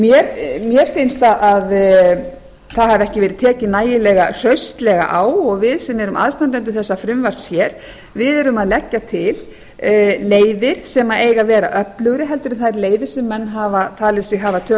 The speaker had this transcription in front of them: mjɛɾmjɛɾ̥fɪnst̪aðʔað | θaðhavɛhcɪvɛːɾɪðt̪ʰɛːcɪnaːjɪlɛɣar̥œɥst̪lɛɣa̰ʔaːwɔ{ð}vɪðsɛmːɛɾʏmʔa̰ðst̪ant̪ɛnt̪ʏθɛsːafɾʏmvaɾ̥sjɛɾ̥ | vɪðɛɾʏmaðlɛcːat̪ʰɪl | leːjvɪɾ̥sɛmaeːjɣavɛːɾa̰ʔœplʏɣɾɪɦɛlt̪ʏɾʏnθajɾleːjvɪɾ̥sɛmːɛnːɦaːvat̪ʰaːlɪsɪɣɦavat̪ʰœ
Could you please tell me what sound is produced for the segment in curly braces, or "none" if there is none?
ɣ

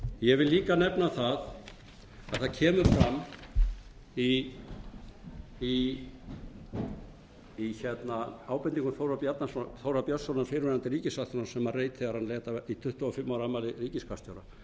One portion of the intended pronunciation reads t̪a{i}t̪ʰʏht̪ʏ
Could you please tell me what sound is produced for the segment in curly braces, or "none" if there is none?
i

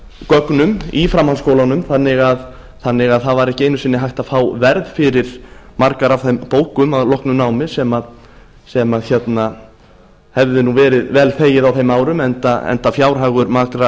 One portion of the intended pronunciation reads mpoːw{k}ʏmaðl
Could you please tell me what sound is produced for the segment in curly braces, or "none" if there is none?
k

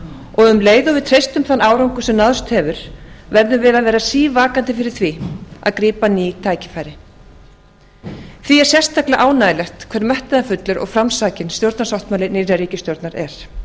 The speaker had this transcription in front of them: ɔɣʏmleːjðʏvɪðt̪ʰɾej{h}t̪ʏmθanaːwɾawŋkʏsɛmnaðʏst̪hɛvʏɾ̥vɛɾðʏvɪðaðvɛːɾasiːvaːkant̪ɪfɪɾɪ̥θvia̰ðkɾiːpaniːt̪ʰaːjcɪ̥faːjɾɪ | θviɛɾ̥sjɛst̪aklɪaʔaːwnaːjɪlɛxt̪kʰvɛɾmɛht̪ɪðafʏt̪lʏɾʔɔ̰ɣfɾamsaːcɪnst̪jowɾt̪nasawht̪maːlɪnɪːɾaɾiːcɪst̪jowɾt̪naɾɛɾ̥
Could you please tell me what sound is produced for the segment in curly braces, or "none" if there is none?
s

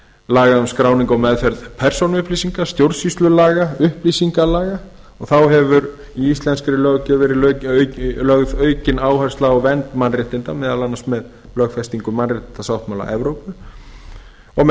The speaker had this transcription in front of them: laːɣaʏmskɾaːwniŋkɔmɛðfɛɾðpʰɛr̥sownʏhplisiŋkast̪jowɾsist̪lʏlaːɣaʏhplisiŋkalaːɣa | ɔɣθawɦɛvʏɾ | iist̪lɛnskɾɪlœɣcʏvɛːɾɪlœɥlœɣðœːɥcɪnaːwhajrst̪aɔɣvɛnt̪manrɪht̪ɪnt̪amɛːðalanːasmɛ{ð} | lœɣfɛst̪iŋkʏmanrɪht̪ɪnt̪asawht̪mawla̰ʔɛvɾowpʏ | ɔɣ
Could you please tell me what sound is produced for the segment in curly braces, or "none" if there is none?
ð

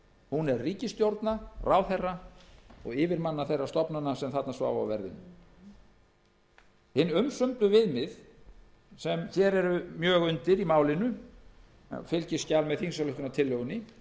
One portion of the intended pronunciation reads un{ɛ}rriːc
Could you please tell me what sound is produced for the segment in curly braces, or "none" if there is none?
ɛ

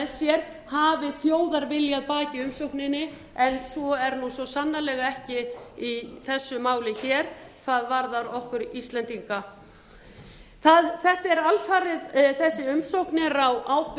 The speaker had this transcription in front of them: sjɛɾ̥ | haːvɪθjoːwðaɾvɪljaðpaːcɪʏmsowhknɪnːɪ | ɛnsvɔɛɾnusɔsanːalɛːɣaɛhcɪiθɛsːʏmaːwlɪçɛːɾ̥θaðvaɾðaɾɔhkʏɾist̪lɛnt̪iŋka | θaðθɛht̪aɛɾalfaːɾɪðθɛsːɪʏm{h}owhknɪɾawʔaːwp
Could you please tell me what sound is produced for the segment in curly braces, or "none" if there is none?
s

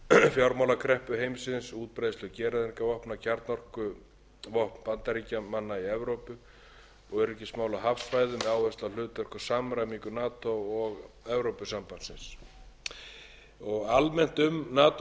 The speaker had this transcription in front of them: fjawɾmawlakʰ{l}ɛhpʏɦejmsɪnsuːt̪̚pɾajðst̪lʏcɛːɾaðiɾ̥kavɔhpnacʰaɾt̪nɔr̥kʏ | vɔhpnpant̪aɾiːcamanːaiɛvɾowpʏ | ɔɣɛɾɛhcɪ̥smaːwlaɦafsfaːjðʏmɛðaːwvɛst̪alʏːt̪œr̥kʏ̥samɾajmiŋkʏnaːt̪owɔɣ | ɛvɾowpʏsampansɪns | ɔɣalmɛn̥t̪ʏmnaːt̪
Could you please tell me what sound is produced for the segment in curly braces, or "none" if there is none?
ɾ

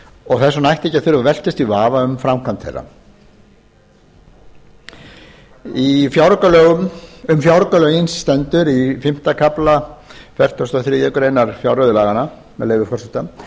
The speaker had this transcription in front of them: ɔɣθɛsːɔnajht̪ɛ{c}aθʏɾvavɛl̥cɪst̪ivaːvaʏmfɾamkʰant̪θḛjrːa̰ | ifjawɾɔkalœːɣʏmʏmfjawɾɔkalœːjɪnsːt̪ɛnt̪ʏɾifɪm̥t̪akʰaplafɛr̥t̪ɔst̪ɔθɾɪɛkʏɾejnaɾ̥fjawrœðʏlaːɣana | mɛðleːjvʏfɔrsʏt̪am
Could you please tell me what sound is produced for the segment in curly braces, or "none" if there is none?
c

